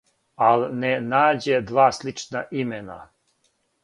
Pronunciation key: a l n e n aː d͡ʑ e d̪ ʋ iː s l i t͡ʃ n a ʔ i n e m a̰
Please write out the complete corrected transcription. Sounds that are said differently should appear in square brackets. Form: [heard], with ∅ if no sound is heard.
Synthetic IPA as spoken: a l n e n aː d͡ʑ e d̪ ʋ [aː] s l i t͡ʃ n a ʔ i [m] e [n] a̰

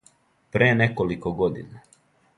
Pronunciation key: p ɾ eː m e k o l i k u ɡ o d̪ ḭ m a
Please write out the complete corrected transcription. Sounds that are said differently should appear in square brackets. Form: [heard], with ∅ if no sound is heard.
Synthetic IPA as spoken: p ɾ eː [n] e k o l i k [o] ɡ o d̪ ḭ [n] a

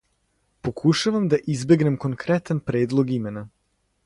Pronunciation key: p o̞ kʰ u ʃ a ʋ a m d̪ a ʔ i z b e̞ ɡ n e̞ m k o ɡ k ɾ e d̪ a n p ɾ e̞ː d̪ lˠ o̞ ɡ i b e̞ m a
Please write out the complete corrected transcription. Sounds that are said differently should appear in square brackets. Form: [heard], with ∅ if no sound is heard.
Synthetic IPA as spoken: p o̞ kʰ u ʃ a ʋ a m d̪ a ʔ i z b e̞ ɡ n e̞ m k o [ŋ] k ɾ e [t̪] a n p ɾ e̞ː d̪ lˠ o̞ ɡ i [m] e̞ [n] a

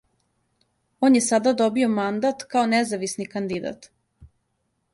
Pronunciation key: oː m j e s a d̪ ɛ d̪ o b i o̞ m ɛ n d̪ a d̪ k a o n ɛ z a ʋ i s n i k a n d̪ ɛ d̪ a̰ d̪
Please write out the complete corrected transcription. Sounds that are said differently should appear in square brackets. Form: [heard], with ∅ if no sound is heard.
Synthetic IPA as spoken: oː [n] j e s a d̪ [a] d̪ o b i o̞ m [a] n d̪ a [t̪] k a o n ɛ z a ʋ i s n i k a n d̪ [i] d̪ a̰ [t̪]

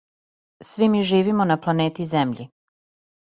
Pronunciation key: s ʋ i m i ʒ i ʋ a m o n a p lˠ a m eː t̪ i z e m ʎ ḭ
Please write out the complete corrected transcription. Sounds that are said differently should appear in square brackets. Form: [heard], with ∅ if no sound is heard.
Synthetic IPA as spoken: s ʋ i m i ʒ [iː] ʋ [i] m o n a p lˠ a [n] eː t̪ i z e m ʎ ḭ

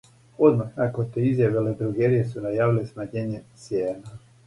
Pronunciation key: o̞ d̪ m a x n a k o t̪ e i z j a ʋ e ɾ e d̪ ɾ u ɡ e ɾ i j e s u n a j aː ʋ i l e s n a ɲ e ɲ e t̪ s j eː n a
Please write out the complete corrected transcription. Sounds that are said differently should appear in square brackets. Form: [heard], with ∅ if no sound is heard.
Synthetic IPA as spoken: o̞ d̪ m a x n a k o t̪ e i z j a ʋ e [l] e d̪ ɾ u ɡ e ɾ i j e s u n a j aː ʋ i l e s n a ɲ e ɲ e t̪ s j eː n a

